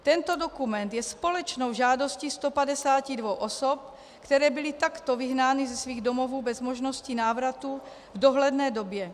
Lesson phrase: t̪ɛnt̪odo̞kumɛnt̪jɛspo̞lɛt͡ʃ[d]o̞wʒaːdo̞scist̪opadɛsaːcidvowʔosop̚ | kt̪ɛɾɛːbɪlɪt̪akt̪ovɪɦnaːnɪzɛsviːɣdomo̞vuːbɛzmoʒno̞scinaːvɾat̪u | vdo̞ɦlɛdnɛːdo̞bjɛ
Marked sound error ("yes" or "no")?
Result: yes